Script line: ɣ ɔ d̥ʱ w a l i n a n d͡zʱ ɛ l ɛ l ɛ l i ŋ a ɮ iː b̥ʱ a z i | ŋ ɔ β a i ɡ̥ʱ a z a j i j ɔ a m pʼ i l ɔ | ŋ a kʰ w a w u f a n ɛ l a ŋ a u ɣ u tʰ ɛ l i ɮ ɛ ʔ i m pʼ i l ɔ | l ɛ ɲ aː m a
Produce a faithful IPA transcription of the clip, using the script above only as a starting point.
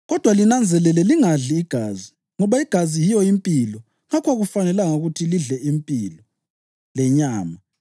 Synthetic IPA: ɣ ɔ d̥ʱ w a l i n a n d͡zʱ ɛ l ɛ l ɛ l i ŋ a ɮ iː ɡ̥ʱ a z i | ŋ ɔ β a i ɡ̥ʱ a z i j i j ɔ i m pʼ i l ɔ | ŋ a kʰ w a ɣ u f a n ɛ l a ŋ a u ɣ u tʰ i l i ɮ ɛ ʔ i m pʼ i l ɔ | l ɛ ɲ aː m a